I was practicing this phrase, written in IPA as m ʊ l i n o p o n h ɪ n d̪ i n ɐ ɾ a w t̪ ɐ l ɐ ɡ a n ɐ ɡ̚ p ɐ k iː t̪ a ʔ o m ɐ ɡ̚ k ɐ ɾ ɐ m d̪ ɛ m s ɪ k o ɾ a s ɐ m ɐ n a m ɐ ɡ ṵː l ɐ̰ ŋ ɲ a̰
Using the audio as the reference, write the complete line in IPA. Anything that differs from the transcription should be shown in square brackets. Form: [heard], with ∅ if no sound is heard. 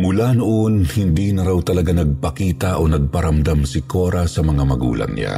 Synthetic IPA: m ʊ l [a] n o [ʔ] o n h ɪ n d̪ i n ɐ ɾ a w t̪ ɐ l ɐ ɡ a n ɐ ɡ̚ p ɐ k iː t̪ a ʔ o [n] ɐ ɡ̚ [p] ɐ ɾ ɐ m d̪ [a] m s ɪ k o ɾ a s ɐ m ɐ [ŋ] a m ɐ ɡ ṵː l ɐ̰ ŋ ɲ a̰